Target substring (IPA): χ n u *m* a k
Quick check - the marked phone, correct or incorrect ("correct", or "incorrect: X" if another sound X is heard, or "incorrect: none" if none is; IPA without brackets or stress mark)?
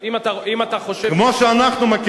correct